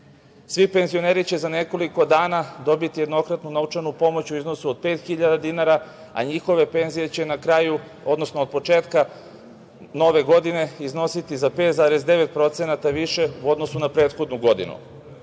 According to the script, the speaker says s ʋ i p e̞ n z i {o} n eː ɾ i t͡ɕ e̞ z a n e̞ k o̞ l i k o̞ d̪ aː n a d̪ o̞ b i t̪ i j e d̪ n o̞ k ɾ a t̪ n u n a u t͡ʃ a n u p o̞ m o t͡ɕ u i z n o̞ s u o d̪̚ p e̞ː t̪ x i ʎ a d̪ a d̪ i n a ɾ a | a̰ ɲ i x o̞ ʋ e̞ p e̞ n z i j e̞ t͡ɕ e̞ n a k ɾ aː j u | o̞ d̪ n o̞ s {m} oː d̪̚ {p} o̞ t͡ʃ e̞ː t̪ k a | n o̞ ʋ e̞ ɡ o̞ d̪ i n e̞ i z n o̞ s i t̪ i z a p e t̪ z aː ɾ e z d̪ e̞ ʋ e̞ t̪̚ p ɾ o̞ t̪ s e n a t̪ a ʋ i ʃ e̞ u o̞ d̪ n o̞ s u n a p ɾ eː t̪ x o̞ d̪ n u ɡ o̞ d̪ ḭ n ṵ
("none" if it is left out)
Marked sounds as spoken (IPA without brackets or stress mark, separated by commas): o, n, p